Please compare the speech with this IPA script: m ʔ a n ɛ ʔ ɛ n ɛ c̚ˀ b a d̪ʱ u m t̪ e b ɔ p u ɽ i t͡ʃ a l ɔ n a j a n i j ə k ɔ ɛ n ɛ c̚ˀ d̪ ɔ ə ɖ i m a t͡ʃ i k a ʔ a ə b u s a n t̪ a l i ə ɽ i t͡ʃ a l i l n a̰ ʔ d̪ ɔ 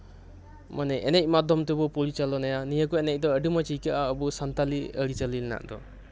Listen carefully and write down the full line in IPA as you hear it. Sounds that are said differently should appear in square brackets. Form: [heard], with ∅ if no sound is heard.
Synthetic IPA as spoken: m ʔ a n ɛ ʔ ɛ n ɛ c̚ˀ [m] a d̪ʱ [ɔ] m t̪ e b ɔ p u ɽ i t͡ʃ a l ɔ n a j a n i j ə k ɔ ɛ n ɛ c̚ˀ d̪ ɔ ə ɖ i m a t͡ʃ i k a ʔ a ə b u s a n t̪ a l i ə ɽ i t͡ʃ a l i l n a̰ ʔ d̪ ɔ